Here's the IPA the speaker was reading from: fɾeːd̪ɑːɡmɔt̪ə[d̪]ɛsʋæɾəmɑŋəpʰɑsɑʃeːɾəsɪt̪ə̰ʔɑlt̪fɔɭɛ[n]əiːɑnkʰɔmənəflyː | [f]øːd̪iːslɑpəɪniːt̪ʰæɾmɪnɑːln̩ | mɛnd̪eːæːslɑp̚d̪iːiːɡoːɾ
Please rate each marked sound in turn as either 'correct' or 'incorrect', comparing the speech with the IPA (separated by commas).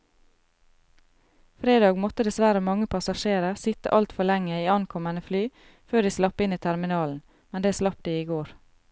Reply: correct, incorrect, correct